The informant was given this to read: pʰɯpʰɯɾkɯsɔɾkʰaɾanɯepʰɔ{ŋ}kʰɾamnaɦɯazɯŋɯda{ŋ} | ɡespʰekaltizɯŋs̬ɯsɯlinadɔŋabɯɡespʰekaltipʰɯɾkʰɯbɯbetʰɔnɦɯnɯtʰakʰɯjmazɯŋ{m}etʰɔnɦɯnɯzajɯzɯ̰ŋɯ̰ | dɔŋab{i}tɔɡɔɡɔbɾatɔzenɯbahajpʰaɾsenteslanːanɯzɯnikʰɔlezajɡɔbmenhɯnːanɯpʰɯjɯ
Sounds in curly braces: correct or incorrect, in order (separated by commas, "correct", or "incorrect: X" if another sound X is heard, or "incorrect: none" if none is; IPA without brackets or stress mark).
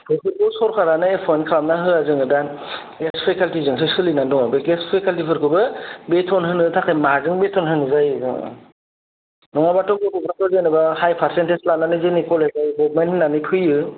incorrect: n, incorrect: n, incorrect: b, incorrect: a